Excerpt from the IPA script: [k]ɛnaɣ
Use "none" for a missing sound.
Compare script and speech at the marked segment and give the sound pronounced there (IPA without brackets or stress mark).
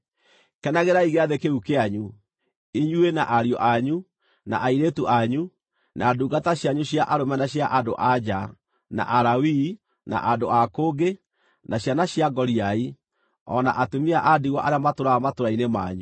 k